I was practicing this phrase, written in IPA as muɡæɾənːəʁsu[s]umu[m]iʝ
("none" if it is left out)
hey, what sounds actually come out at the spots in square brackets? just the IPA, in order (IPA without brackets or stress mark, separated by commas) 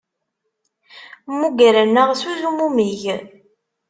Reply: z, m